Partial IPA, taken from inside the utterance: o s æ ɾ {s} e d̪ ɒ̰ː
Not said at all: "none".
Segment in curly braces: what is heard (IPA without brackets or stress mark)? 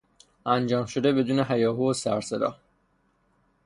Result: s